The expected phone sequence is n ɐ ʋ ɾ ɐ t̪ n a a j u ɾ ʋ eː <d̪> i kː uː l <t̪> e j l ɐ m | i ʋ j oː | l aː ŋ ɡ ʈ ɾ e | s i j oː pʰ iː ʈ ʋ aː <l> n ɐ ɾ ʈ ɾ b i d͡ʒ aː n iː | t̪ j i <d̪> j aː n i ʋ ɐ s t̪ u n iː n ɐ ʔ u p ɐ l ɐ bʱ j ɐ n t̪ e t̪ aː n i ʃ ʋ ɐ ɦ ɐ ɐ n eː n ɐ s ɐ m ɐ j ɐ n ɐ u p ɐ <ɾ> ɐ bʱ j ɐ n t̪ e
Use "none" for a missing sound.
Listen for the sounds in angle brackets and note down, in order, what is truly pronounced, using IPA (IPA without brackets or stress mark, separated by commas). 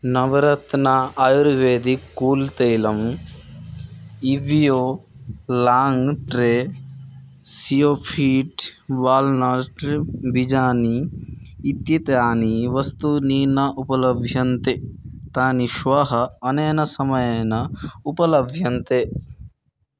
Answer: d̪, t̪, l, t̪, l